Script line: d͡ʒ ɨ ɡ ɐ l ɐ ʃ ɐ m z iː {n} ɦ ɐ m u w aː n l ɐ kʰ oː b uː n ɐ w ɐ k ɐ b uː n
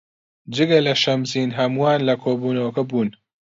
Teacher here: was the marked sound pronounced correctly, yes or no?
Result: yes